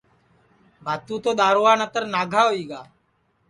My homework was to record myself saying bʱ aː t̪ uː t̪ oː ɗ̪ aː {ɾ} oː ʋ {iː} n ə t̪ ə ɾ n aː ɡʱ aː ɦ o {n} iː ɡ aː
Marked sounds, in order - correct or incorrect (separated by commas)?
correct, incorrect, incorrect